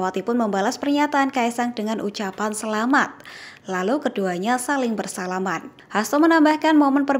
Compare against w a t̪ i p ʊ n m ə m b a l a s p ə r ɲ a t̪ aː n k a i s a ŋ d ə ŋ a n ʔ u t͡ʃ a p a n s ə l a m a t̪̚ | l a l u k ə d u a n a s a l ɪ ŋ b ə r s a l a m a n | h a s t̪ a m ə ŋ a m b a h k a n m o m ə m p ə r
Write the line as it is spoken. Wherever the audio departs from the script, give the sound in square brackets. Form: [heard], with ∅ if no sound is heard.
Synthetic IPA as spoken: w a t̪ i p ʊ n m ə m b a l a s p ə r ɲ a t̪ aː n k a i s a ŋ d ə ŋ a n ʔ u t͡ʃ a p a n s ə l a m a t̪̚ | l a l u k ə d u a [ɲ] a s a l ɪ ŋ b ə r s a l a m a n | h a s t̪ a m ə [n] a m b a h k a n m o m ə [n] p ə r

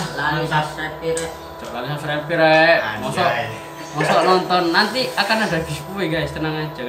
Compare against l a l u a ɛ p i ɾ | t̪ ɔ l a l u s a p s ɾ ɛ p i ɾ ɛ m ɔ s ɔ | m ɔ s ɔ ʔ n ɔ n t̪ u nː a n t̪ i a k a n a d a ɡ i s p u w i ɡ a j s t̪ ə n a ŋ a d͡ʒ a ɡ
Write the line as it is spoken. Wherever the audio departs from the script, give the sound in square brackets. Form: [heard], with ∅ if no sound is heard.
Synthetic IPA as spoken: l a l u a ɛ p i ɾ | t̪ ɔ l a l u s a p s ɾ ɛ p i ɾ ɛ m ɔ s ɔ | m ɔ s ɔ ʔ n ɔ n t̪ [ɔ] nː a n t̪ i a k a n a d a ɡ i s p u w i ɡ a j s t̪ ə n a ŋ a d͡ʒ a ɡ

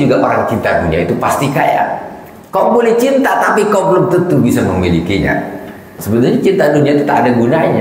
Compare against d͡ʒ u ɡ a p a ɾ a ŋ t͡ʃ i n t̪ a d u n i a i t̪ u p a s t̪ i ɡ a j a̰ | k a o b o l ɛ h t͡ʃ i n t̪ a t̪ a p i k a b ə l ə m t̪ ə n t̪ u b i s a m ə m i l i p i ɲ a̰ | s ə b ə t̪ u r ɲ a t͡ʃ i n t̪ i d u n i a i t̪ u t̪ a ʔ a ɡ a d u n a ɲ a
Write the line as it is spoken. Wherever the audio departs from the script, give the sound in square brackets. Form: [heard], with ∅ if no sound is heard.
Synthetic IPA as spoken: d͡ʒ u ɡ a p a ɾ a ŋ t͡ʃ i n t̪ a d u n i a i t̪ u p a s t̪ i [k] a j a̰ | k a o b o l ɛ h t͡ʃ i n t̪ a t̪ a p i k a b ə l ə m t̪ ə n t̪ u b i s a m ə m i l i [k] i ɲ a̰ | s ə b ə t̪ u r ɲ a t͡ʃ i n t̪ [a] d u n i a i t̪ u t̪ a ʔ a [d] a [ɡ] u n a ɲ a

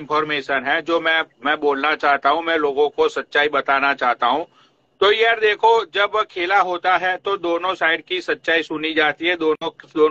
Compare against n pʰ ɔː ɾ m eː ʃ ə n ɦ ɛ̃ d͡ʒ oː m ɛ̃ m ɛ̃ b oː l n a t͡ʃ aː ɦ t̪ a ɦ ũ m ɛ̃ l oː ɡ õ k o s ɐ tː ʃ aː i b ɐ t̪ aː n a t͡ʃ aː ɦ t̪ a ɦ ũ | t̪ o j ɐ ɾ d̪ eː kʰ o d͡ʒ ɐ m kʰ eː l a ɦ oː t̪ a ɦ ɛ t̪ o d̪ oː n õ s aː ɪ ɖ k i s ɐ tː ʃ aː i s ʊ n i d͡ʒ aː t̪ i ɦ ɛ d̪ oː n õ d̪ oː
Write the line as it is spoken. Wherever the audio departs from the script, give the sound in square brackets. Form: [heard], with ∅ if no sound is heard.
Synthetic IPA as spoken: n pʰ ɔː ɾ m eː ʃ ə n ɦ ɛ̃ d͡ʒ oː m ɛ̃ m ɛ̃ b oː l n a t͡ʃ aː ɦ t̪ a ɦ ũ m ɛ̃ l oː ɡ õ k o s ɐ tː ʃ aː i b ɐ t̪ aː n a t͡ʃ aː ɦ t̪ a ɦ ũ | t̪ o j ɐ ɾ d̪ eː kʰ o d͡ʒ ɐ [b] kʰ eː l a ɦ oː t̪ a ɦ ɛ t̪ o d̪ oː n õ s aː ɪ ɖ k i s ɐ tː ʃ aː i s ʊ n i d͡ʒ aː t̪ i ɦ ɛ d̪ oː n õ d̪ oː

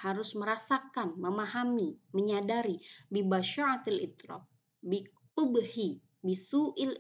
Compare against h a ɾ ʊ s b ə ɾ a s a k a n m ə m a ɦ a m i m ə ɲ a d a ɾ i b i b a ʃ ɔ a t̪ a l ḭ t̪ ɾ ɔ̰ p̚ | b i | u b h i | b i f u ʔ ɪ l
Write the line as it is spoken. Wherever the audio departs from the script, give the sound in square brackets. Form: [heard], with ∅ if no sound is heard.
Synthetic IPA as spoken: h a ɾ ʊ s [m] ə ɾ a s a k a n m ə m a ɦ a m i m ə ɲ a d a ɾ i b i b a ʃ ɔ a t̪ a l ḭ t̪ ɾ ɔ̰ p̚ | b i | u b h i | b i [s] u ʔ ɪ l

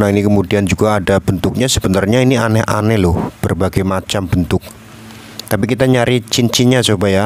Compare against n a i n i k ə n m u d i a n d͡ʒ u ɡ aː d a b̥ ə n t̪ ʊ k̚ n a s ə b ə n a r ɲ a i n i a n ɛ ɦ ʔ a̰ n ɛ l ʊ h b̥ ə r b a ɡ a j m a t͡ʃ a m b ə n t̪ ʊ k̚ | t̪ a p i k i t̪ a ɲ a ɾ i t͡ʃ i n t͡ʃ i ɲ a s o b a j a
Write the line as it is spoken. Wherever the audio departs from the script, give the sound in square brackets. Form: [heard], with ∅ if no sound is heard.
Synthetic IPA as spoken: n a i n i k ə [∅] m u d i a n d͡ʒ u ɡ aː d a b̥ ə n t̪ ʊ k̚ [ɲ] a s ə b ə n a r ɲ a i n i a n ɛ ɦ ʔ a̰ n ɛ l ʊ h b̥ ə r b a ɡ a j m a t͡ʃ a m b ə n t̪ ʊ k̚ | t̪ a p i k i t̪ a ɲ a ɾ i t͡ʃ i n t͡ʃ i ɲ a s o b a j a

